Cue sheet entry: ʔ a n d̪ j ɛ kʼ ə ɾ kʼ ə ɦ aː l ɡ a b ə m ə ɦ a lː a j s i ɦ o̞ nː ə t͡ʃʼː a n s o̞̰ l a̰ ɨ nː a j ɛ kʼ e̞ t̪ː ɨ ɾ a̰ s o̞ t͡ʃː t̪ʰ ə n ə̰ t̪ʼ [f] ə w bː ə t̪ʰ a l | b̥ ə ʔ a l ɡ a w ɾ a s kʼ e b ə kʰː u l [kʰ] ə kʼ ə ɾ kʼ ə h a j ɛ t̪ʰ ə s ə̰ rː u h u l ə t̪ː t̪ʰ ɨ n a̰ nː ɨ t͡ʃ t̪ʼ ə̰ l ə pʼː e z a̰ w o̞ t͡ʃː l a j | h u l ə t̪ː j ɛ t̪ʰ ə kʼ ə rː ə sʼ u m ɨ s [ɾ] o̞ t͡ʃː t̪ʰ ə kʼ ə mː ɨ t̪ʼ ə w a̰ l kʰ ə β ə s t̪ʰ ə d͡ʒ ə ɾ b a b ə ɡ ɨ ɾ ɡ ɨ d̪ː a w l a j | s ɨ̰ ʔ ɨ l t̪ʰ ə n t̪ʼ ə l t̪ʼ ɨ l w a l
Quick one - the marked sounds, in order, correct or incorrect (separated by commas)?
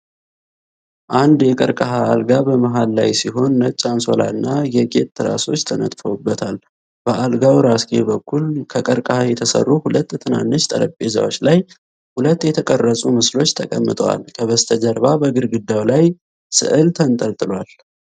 correct, correct, incorrect